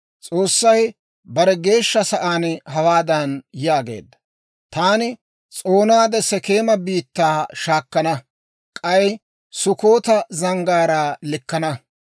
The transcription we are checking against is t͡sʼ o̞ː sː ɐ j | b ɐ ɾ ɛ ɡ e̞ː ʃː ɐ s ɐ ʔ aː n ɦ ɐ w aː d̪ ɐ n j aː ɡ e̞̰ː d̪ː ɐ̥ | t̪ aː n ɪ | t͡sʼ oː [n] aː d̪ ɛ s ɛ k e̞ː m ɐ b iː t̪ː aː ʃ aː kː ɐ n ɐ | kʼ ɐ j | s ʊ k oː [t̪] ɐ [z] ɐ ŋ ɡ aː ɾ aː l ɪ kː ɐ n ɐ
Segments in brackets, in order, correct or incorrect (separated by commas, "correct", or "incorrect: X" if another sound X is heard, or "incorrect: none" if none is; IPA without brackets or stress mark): correct, correct, correct